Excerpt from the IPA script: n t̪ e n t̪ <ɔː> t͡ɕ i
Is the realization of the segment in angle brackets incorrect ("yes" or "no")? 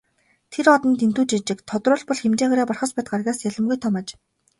yes